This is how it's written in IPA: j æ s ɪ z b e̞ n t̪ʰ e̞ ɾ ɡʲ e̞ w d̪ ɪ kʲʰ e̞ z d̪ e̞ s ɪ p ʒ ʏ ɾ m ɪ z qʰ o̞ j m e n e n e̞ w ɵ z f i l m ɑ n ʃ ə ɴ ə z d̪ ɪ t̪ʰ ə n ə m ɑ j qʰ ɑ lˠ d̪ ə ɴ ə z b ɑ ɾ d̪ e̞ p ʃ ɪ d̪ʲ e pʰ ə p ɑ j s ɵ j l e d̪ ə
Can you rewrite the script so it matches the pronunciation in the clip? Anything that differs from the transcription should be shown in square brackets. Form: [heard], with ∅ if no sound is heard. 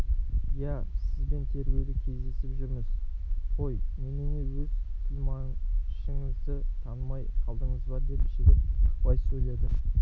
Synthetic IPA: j æ s ɪ z b e̞ n t̪ʰ e̞ ɾ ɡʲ e̞ w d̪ ɪ kʲʰ e̞ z d̪ e̞ s ɪ p ʒ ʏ ɾ m ɪ z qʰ o̞ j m e n e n e̞ w ɵ z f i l m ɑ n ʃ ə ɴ ə z d̪ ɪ t̪ʰ [ɑ] n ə m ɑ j qʰ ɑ lˠ d̪ ə ɴ ə z b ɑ ɾ d̪ e̞ p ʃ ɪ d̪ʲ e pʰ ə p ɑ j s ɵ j l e d̪ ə